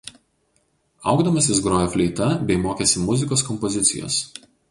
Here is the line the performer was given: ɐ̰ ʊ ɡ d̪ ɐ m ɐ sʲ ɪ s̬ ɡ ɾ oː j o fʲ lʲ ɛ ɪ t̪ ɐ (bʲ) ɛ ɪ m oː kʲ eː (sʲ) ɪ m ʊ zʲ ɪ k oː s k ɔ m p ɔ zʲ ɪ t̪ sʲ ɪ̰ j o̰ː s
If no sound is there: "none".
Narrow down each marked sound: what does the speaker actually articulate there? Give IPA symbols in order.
bʲ, sʲ

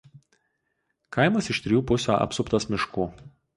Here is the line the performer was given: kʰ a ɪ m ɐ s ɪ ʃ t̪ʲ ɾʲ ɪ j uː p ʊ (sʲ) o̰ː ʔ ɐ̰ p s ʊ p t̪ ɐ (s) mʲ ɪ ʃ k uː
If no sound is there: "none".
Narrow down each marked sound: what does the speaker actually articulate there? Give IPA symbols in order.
sʲ, s

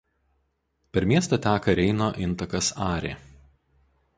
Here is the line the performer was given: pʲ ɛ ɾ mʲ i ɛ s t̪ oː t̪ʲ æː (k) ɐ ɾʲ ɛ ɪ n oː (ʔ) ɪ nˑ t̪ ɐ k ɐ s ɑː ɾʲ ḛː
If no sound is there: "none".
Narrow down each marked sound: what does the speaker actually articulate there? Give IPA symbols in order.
k, ʔ

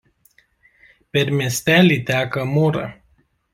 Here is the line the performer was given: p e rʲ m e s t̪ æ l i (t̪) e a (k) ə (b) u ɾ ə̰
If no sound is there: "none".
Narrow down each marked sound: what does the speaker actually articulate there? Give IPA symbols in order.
t̪, k, m

